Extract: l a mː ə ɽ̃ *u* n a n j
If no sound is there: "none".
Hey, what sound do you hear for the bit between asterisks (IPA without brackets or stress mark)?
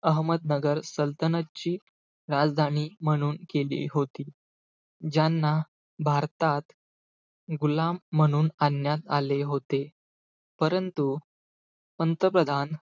uː